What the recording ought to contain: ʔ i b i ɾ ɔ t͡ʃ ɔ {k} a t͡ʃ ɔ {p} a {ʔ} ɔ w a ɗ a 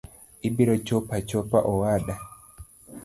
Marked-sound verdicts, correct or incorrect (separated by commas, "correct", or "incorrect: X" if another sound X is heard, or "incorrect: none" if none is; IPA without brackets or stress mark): incorrect: p, correct, correct